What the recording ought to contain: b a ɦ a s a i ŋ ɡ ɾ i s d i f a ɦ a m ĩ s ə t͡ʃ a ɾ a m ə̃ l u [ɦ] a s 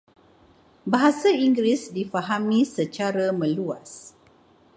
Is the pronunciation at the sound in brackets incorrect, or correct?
incorrect